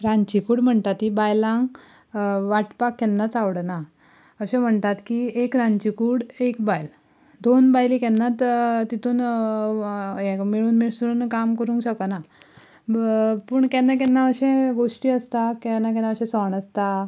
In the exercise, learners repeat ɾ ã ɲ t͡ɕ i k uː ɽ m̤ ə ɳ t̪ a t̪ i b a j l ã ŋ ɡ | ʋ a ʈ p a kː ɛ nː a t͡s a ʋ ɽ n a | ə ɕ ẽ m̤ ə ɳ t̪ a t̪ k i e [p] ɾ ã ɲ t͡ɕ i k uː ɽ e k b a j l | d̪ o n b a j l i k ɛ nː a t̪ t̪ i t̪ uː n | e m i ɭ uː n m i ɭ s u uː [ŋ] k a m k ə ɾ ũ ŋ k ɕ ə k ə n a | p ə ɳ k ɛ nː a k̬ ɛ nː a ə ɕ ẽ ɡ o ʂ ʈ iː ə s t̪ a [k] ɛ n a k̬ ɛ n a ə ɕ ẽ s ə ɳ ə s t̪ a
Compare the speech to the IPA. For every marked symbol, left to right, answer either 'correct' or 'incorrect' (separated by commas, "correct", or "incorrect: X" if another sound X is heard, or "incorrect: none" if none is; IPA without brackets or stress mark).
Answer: incorrect: k, incorrect: n, correct